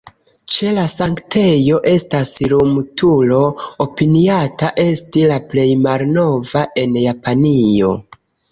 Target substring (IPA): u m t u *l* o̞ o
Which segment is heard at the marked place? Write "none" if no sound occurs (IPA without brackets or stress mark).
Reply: l